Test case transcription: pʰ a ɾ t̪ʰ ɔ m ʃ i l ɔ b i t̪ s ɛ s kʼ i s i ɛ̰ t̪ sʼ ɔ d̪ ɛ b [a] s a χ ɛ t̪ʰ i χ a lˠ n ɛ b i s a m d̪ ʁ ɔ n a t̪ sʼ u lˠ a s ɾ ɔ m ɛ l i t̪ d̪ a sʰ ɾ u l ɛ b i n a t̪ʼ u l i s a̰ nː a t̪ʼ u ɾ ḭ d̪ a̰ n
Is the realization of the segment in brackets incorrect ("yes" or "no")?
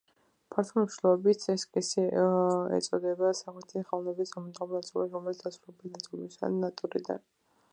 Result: no